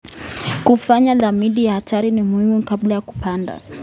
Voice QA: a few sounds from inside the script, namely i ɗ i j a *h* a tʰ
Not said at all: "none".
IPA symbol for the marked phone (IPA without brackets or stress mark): h